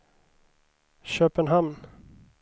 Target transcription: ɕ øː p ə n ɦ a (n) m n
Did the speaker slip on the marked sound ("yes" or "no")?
yes